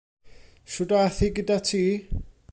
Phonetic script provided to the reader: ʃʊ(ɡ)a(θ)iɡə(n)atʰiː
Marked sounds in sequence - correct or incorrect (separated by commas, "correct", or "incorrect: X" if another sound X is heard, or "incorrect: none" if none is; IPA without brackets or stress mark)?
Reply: incorrect: d, correct, incorrect: d